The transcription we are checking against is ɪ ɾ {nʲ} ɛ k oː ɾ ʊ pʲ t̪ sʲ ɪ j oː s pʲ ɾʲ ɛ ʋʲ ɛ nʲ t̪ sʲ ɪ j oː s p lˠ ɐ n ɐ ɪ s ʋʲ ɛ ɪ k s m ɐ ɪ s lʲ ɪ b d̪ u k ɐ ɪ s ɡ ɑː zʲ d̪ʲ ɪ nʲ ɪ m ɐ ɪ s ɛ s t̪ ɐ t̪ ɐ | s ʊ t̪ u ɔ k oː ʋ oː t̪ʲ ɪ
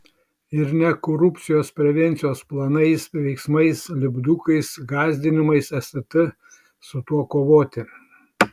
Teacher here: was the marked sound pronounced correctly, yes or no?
yes